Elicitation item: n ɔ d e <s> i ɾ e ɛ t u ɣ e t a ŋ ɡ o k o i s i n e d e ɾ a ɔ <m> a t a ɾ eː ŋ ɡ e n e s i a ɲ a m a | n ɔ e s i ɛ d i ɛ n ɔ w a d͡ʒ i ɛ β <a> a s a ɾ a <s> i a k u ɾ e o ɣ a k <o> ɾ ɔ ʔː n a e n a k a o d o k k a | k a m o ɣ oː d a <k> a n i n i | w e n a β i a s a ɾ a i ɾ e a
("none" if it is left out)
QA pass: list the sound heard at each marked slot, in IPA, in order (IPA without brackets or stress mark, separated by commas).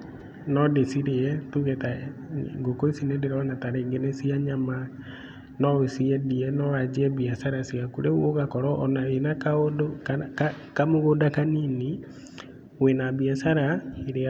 s, n, i, s, ɔ, k